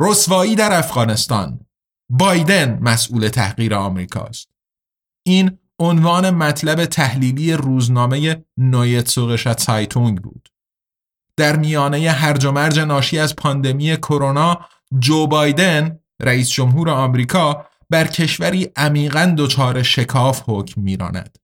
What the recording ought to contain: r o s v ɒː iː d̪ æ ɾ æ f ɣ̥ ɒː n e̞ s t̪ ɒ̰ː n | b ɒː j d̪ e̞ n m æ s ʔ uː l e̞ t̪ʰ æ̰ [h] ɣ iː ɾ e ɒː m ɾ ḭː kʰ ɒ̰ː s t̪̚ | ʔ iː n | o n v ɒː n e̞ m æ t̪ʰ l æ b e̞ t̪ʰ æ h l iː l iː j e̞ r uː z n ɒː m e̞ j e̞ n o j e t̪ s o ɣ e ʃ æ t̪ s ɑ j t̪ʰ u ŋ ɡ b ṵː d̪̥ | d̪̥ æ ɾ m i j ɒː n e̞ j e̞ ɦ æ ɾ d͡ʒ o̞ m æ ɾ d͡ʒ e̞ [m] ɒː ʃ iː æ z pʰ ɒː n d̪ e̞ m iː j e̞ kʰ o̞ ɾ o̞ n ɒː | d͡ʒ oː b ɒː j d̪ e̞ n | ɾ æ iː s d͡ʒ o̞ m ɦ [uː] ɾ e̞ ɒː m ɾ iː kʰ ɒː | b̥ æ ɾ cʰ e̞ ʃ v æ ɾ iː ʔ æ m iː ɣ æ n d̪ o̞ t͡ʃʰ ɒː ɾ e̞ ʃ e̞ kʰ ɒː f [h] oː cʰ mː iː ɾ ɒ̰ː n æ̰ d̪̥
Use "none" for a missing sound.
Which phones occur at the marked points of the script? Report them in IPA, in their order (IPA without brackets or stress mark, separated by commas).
h, n, uː, h